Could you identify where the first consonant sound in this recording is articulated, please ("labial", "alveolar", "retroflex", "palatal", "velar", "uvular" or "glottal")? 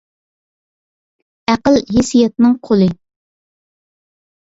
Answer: uvular